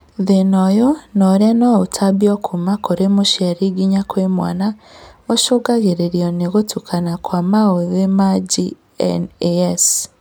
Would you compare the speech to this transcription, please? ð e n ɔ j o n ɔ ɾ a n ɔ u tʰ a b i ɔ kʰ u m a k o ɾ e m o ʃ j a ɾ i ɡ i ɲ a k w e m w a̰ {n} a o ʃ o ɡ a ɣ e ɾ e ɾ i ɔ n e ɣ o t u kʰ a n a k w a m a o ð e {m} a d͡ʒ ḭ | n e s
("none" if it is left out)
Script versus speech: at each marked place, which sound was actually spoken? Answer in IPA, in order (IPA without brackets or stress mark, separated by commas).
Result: n, m